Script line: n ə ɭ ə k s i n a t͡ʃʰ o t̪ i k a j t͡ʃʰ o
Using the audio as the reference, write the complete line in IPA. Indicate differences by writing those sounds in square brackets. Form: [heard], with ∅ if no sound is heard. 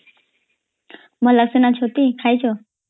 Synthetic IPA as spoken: [m] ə [l] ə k s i n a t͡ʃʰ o t̪ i [kʰ] a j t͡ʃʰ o